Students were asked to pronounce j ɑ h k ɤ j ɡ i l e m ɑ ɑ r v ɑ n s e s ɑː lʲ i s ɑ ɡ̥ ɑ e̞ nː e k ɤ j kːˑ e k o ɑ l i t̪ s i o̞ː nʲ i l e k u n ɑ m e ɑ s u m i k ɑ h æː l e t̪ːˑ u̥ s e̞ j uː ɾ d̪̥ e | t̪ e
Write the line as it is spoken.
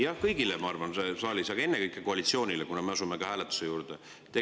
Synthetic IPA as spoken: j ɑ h k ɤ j ɡ i l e m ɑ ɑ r v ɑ n s e s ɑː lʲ i s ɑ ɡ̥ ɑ e̞ nː e k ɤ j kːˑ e k o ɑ l i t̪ s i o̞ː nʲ i l e k u n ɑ m e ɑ s u m e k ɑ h æː l e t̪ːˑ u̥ s e̞ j uː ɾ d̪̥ e | t̪ e